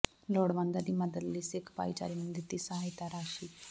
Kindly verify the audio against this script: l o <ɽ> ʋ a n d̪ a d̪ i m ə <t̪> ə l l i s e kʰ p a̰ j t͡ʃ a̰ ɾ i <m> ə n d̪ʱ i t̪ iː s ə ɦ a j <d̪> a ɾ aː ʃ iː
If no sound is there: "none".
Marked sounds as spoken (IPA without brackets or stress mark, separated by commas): ɽ, d̪, m, t̪